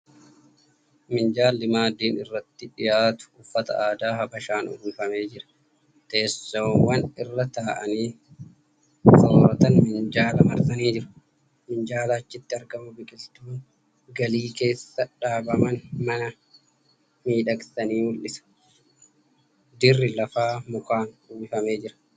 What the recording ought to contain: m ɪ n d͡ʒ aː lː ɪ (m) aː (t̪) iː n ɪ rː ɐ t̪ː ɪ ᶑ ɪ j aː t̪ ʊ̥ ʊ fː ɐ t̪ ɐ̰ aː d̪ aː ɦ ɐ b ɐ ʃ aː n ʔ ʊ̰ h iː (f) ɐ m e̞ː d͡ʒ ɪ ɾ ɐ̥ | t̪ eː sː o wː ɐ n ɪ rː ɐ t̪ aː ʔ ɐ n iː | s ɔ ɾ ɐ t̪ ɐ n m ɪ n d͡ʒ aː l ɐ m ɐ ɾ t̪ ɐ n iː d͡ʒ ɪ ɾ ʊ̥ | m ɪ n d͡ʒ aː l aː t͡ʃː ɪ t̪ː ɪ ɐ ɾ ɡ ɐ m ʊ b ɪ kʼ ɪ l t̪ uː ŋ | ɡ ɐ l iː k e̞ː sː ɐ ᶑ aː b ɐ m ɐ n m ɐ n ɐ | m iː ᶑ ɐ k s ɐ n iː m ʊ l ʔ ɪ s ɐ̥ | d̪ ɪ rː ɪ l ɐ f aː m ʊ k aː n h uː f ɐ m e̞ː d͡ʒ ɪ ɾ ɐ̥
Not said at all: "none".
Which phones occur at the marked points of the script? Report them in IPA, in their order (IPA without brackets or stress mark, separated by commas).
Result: m, d̪, f